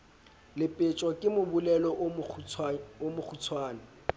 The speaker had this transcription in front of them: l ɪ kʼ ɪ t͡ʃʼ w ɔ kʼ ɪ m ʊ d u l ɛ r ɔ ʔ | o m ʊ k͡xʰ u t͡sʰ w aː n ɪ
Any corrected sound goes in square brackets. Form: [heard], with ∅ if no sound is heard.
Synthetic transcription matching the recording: l ɪ [pʼ] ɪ t͡ʃʼ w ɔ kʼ ɪ m ʊ [b] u l ɛ [l] ɔ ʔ | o m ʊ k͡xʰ u t͡sʰ w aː n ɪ